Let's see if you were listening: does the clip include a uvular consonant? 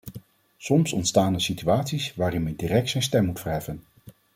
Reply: no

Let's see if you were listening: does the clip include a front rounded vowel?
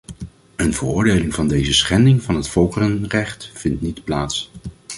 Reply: no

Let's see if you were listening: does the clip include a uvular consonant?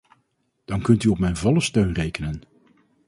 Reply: no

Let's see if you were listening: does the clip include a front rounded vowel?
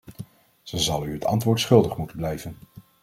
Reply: yes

